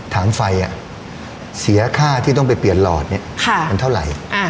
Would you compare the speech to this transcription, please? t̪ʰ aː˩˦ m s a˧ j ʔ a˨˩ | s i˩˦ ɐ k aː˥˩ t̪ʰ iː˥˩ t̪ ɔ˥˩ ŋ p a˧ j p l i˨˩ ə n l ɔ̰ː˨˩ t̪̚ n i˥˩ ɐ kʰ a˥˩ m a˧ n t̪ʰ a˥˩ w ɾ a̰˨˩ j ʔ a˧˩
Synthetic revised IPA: t̪ʰ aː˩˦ m f a˧ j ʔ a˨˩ | s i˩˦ ɐ kʰ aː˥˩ t̪ʰ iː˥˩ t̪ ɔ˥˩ ŋ p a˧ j p l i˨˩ ə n l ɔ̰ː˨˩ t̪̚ n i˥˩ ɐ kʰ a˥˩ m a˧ n t̪ʰ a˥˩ w ɾ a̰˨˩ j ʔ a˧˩